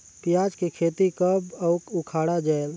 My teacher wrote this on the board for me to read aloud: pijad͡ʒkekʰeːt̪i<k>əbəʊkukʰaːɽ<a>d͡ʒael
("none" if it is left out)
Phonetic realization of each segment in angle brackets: k, a

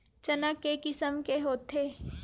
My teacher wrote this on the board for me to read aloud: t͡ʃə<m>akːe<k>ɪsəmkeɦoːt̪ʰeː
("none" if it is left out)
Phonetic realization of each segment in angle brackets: n, k

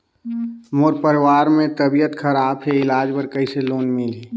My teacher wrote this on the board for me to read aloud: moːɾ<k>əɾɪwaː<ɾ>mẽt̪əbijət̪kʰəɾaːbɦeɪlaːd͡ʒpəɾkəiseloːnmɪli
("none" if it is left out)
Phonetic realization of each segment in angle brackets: p, ɾ

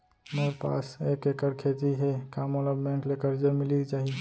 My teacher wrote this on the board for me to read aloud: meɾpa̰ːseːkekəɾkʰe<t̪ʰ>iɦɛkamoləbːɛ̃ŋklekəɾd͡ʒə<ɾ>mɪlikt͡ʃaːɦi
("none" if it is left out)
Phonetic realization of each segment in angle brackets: t̪, ɾ

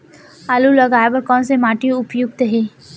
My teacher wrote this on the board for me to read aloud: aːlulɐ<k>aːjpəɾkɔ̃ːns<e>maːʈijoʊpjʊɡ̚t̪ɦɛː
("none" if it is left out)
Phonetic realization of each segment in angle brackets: ɡ, e

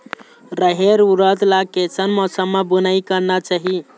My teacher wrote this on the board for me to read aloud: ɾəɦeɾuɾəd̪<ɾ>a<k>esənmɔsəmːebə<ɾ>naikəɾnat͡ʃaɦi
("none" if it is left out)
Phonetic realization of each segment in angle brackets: l, k, none

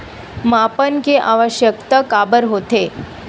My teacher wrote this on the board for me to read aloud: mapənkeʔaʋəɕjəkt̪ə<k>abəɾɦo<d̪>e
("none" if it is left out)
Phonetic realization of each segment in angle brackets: k, t̪

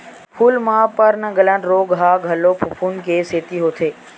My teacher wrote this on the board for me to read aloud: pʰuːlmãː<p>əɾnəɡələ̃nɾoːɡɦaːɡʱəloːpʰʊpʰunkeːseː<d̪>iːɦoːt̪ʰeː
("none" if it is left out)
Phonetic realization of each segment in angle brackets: p, t̪

